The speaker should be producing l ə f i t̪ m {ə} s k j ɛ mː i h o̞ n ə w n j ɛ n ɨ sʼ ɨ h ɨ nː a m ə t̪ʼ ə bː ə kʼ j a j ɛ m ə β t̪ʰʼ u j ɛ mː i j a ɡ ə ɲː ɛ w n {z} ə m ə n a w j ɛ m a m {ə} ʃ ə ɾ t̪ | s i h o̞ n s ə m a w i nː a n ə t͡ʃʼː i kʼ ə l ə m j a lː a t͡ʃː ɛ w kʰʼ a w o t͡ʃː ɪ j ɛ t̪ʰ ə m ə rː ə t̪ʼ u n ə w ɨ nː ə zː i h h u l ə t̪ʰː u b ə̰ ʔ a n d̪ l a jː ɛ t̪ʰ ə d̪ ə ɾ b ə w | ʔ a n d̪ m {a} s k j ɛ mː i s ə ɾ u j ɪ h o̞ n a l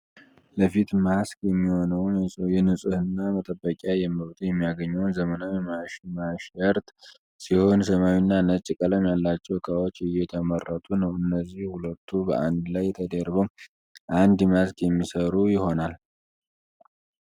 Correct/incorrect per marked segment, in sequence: incorrect, correct, incorrect, correct

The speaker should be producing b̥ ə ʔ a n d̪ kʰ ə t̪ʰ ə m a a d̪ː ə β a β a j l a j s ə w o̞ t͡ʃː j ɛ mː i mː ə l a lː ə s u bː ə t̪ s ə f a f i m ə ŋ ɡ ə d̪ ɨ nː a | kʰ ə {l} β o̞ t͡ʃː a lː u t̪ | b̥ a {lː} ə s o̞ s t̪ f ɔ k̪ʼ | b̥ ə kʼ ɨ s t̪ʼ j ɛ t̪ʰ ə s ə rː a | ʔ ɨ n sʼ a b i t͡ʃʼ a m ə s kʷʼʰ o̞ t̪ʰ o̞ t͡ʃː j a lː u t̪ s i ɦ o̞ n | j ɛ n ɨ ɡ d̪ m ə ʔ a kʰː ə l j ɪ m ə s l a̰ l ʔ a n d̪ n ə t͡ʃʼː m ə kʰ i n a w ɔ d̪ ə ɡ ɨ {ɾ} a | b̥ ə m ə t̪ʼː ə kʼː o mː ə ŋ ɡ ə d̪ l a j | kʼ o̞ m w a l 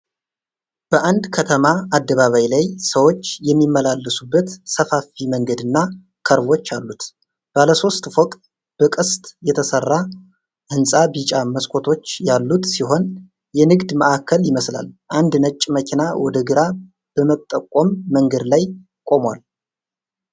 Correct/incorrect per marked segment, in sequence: incorrect, incorrect, correct

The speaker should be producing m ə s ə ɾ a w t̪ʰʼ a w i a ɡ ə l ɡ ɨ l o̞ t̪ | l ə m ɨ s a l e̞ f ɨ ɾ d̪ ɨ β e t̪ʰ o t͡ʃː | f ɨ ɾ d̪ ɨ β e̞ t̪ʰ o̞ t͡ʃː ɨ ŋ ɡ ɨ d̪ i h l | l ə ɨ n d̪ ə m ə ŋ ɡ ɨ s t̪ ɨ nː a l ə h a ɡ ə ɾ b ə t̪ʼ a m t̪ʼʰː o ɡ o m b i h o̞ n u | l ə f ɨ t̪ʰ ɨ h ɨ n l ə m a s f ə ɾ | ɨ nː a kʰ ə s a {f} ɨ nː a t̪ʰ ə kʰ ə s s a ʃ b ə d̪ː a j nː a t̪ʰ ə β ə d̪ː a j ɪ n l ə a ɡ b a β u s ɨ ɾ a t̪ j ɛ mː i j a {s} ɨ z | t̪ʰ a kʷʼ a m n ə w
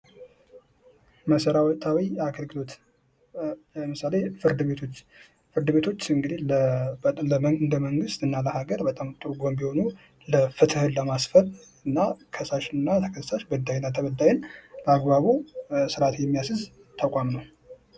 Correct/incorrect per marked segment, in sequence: incorrect, correct

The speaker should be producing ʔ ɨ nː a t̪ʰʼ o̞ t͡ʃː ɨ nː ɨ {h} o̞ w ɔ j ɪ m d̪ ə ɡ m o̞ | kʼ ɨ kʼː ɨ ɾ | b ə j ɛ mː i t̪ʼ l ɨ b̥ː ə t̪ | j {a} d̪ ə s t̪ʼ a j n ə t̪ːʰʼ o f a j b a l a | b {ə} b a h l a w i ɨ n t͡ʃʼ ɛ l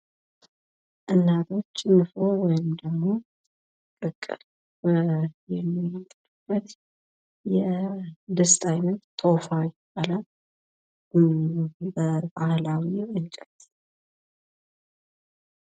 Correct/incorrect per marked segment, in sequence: incorrect, incorrect, correct

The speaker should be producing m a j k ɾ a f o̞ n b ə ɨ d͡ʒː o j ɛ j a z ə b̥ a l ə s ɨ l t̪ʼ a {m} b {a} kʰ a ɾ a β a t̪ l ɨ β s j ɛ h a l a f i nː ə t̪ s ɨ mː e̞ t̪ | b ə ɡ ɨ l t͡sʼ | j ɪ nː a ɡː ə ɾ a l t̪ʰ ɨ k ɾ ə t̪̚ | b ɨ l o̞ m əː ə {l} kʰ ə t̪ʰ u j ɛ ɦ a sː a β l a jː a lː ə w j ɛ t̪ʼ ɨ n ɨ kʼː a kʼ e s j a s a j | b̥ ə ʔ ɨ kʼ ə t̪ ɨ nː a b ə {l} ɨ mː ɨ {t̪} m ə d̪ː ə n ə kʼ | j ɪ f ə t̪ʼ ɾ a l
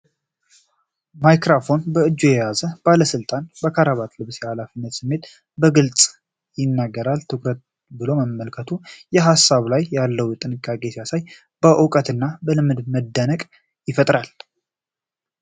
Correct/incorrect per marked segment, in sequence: incorrect, incorrect, correct, correct, incorrect

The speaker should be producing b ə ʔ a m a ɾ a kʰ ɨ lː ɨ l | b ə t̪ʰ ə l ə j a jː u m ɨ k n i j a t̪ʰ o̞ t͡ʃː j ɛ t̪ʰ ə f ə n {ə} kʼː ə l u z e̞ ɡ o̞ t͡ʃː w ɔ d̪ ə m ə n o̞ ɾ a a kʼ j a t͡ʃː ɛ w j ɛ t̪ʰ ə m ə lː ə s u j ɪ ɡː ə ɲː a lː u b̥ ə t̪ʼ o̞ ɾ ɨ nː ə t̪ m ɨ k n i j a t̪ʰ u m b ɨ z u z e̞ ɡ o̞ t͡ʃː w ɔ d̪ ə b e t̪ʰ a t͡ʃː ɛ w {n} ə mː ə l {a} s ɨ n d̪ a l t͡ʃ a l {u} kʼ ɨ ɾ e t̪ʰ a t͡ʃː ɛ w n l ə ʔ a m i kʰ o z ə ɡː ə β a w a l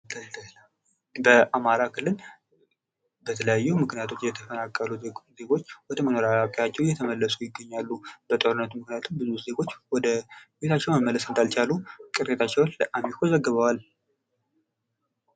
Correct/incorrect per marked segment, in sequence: incorrect, incorrect, incorrect, correct

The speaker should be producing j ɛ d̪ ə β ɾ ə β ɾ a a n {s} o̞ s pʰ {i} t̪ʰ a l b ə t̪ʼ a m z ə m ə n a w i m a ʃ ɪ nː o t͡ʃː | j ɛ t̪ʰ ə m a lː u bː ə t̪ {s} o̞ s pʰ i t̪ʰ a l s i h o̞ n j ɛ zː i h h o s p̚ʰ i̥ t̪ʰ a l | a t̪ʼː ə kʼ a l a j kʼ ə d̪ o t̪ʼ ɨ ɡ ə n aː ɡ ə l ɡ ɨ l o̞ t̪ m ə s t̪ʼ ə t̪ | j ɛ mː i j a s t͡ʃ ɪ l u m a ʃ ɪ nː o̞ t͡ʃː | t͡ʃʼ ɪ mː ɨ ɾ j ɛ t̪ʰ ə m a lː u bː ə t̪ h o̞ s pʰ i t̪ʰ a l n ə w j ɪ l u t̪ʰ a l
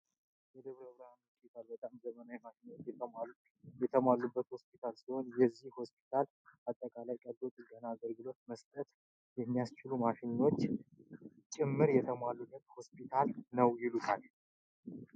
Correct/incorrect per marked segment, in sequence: incorrect, correct, incorrect

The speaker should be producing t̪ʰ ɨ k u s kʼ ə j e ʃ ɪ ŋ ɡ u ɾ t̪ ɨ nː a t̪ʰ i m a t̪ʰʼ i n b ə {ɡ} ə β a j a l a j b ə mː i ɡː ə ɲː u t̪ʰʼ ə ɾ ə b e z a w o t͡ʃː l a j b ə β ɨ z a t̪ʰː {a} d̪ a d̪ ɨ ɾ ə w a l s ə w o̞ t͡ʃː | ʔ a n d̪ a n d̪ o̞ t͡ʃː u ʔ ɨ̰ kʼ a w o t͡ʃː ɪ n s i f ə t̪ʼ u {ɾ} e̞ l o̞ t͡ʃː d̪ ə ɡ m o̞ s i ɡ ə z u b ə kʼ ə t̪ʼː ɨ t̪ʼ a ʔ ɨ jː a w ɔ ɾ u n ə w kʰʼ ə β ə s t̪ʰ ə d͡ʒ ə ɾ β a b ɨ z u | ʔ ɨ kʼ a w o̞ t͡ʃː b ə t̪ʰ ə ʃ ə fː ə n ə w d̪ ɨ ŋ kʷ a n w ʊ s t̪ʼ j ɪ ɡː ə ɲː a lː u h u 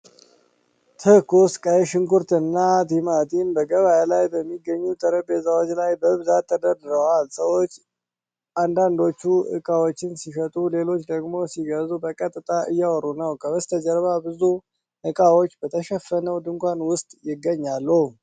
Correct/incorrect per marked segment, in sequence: correct, incorrect, incorrect

